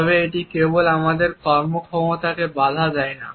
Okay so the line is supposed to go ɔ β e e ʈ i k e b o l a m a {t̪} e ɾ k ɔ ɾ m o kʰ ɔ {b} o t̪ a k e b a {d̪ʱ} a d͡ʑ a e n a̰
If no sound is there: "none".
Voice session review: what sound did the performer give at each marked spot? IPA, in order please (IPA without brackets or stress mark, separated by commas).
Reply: d̪, m, d̪ʱ